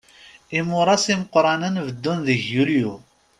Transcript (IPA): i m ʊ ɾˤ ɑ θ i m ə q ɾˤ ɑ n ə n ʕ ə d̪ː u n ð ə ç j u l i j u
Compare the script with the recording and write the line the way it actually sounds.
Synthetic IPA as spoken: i m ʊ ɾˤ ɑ s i m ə q ɾˤ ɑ n ə n v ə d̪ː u n ð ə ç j u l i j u